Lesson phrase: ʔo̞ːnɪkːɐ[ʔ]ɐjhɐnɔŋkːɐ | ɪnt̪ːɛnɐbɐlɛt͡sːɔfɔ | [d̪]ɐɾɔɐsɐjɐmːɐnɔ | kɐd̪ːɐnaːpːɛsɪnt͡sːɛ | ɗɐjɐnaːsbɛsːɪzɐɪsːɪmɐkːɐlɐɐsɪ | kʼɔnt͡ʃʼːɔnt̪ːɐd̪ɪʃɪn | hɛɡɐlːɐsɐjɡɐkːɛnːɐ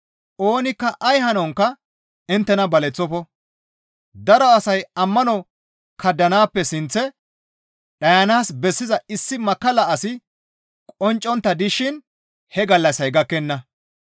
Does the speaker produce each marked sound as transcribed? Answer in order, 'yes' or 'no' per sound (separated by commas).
yes, yes